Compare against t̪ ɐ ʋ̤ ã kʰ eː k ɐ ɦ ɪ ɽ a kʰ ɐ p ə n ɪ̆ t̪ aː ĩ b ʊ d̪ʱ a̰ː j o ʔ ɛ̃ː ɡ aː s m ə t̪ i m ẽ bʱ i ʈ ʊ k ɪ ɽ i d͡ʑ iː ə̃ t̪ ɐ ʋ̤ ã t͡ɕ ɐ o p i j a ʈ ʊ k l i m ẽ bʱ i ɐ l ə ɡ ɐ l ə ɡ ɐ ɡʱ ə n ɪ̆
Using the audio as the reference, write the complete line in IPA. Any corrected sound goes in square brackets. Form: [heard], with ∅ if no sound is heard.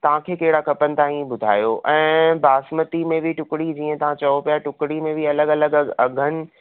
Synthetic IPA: t̪ ɐ ʋ̤ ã kʰ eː k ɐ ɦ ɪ ɽ a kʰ ɐ p ə n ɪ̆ t̪ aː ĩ b ʊ d̪ʱ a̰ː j o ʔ ɛ̃ː [b] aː s m ə t̪ i m ẽ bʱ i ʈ ʊ k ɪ ɽ i d͡ʑ iː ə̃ t̪ ɐ ʋ̤ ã t͡ɕ ɐ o p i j a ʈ ʊ k [ɽ] i m ẽ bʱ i ɐ l ə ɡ ɐ l ə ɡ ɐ ɡʱ ə n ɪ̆

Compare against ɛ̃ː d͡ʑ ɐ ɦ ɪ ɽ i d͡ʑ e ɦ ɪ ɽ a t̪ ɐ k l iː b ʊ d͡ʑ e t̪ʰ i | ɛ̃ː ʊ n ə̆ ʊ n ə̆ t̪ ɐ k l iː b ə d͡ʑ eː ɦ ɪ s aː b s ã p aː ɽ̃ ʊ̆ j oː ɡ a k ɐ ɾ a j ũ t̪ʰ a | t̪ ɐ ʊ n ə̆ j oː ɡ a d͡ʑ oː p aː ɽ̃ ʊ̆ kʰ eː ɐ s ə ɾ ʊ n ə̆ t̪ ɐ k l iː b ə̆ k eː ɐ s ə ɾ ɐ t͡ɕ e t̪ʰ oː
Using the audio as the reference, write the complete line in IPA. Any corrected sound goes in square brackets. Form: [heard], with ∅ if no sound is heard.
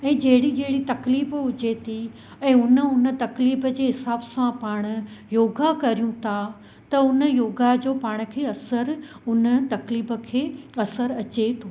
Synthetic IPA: ɛ̃ː d͡ʑ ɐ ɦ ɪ ɽ i d͡ʑ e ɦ ɪ ɽ [i] t̪ ɐ k l iː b ʊ d͡ʑ e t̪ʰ i | ɛ̃ː ʊ n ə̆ ʊ n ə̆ t̪ ɐ k l iː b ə d͡ʑ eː ɦ ɪ s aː b s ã p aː ɽ̃ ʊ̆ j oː ɡ a k ɐ ɾ [i] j ũ t̪ʰ a | t̪ ɐ ʊ n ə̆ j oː ɡ a d͡ʑ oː p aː ɽ̃ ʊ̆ kʰ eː ɐ s ə ɾ ʊ n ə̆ t̪ ɐ k l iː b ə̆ [kʰ] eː ɐ s ə ɾ ɐ t͡ɕ e t̪ʰ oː

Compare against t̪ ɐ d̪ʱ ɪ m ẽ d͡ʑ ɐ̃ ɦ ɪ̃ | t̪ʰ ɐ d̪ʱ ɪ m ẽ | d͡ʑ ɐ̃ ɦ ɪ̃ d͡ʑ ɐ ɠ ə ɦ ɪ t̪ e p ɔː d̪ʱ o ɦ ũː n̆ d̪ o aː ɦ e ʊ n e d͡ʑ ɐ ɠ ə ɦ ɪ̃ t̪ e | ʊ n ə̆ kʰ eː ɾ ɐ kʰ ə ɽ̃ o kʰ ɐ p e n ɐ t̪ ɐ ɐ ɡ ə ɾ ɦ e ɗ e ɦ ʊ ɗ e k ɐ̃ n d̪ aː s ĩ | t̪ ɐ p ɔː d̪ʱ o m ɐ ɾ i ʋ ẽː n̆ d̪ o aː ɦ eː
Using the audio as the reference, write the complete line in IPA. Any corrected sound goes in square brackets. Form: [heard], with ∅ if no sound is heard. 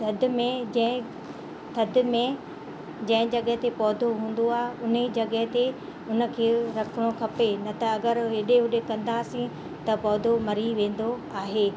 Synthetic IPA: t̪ ɐ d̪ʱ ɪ m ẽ d͡ʑ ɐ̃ ɦ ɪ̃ | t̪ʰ ɐ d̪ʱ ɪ m ẽ | d͡ʑ ɐ̃ ɦ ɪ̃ d͡ʑ ɐ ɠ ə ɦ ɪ t̪ e p ɔː d̪ʱ o ɦ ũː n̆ d̪ o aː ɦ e ʊ n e d͡ʑ ɐ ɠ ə ɦ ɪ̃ t̪ e | ʊ n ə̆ kʰ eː ɾ ɐ kʰ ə ɽ̃ o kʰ ɐ p e n ɐ t̪ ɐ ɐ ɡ ə ɾ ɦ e ɗ e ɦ ʊ ɗ e k ɐ̃ n d̪ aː s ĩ | t̪ ɐ p ɔː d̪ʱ o m ɐ ɾ i ʋ ẽː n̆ d̪ o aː ɦ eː

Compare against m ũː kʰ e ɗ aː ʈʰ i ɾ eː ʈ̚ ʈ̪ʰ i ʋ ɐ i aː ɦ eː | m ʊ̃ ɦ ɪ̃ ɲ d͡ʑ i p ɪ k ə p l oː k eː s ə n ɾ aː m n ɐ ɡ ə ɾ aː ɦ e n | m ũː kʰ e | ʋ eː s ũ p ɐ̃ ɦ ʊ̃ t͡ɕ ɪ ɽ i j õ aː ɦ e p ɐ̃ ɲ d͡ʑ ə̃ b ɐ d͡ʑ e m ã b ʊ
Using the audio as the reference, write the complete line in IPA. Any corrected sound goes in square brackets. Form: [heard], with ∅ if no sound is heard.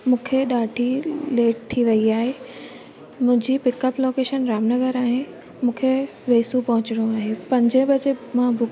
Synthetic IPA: m ũː kʰ e ɗ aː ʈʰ i [l] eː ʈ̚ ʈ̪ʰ i ʋ ɐ i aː ɦ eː | m ʊ̃ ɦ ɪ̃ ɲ d͡ʑ i p ɪ k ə p l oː k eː [ʃ] ə n ɾ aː m n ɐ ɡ ə ɾ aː ɦ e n | m ũː kʰ e | ʋ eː s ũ p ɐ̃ ɦ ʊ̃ t͡ɕ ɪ ɽ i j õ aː ɦ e p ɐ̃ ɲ d͡ʑ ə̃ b ɐ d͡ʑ e m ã b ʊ

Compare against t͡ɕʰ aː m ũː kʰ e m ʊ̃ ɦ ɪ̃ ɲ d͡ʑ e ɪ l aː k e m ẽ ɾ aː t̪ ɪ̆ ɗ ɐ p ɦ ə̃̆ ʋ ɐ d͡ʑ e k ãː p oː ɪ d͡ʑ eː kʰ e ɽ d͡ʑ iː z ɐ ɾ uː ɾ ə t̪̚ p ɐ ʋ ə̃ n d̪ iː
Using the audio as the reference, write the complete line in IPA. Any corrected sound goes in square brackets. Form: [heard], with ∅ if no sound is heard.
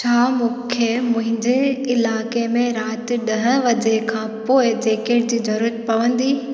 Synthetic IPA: t͡ɕʰ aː m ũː kʰ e m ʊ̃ ɦ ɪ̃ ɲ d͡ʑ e ɪ l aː k e m ẽ ɾ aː t̪ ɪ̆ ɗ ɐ [∅] ɦ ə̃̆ ʋ ɐ d͡ʑ e [kʰ] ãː p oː ɪ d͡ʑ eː [k] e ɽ d͡ʑ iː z ɐ ɾ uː ɾ ə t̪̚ p ɐ ʋ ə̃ n d̪ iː

